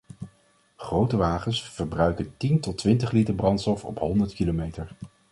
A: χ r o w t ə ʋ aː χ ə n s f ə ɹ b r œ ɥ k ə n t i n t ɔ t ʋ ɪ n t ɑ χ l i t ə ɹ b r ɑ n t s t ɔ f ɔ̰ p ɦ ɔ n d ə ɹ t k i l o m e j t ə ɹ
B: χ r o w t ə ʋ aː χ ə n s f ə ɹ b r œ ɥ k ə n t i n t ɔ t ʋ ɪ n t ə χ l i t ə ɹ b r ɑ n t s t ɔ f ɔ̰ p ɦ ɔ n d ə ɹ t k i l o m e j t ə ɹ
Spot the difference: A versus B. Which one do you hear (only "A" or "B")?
B